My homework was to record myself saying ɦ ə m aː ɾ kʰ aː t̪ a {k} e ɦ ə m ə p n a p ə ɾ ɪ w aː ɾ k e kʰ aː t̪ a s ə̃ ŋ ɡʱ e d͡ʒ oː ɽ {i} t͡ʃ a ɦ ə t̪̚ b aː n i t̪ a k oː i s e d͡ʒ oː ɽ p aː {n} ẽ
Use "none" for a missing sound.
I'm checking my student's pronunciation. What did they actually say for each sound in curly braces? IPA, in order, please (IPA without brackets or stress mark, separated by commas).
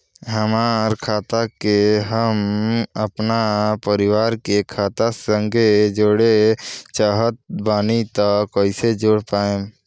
k, e, none